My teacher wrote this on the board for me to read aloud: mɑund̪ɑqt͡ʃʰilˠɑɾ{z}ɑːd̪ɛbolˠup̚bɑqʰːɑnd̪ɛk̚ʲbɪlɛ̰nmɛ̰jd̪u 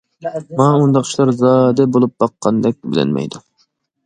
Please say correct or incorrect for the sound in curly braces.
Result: correct